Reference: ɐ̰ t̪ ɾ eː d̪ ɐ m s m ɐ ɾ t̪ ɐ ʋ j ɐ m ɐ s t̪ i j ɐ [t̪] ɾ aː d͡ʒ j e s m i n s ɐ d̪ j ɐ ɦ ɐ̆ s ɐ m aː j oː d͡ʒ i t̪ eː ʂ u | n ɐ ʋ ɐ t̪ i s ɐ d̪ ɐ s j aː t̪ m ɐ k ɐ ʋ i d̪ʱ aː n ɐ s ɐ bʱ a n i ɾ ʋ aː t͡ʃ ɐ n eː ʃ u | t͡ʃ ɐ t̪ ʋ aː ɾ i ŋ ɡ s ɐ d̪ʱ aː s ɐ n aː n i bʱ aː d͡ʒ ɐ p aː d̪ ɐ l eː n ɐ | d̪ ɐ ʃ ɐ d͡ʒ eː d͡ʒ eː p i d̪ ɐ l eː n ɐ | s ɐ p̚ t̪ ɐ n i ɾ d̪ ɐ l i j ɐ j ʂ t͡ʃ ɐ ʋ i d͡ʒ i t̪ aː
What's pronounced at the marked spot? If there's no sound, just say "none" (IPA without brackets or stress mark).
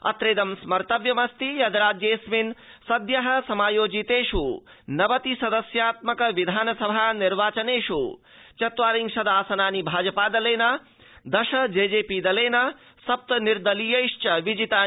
d̪